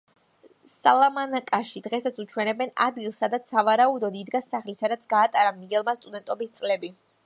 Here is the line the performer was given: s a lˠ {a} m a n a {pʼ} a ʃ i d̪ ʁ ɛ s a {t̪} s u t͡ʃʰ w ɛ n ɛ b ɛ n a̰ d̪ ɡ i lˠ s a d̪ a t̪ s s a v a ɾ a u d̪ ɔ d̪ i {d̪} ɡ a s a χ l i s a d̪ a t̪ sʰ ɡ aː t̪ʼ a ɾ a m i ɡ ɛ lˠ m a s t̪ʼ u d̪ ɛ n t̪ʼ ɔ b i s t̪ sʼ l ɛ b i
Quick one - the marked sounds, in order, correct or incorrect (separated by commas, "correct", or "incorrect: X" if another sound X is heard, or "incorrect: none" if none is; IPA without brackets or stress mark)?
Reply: correct, incorrect: kʼ, correct, correct